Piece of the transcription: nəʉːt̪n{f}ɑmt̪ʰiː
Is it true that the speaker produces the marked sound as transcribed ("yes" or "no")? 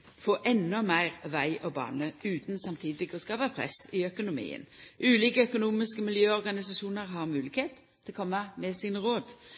no